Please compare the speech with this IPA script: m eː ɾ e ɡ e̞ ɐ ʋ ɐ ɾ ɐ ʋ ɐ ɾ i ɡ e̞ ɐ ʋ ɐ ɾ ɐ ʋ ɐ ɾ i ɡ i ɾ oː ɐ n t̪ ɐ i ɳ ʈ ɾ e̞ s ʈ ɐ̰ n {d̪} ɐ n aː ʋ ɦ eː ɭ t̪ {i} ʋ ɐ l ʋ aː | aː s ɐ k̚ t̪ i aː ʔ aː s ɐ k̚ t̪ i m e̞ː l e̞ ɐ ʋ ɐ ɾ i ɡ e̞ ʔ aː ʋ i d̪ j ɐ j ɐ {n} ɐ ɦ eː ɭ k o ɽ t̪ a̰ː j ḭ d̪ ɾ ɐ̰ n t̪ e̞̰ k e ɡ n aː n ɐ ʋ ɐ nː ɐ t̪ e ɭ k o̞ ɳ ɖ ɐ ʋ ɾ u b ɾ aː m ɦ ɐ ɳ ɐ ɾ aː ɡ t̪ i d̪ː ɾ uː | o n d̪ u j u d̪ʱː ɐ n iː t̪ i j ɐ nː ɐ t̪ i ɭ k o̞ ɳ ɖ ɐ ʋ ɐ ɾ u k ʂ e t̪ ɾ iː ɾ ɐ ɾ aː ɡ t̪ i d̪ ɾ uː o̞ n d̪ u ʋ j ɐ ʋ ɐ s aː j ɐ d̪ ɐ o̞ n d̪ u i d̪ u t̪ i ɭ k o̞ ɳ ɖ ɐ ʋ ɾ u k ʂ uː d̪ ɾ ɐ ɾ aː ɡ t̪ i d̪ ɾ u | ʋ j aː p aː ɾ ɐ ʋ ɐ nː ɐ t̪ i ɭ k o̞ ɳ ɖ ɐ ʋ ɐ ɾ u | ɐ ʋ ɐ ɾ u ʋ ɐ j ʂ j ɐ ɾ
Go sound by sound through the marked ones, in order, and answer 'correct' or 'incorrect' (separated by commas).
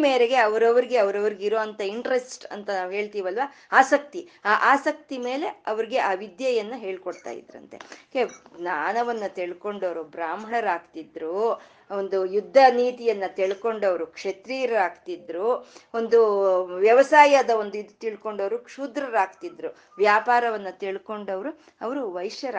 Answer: incorrect, incorrect, incorrect